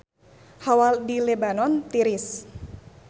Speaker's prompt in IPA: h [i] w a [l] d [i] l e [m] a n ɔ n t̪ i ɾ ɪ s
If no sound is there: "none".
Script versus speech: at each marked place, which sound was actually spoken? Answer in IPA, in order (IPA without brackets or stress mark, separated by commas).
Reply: a, l, i, b